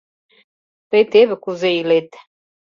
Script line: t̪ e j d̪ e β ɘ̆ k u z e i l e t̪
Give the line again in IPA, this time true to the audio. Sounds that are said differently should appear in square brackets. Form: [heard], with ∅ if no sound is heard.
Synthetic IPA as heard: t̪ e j [t̪] e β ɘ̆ k u z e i l e t̪